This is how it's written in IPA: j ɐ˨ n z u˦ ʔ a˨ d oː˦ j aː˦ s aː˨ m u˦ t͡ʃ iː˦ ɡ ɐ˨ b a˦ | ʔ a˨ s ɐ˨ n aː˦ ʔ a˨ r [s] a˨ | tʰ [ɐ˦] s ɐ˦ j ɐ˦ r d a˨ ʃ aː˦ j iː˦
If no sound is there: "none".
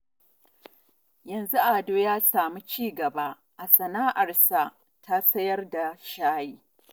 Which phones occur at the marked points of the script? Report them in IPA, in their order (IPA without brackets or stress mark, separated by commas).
s, a˦